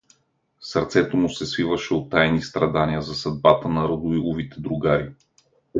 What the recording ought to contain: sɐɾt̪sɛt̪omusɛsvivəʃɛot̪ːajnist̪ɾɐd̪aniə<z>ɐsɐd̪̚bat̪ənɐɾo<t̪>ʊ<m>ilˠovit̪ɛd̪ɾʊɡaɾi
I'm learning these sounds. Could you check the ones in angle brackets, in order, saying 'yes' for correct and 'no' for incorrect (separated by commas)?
yes, no, no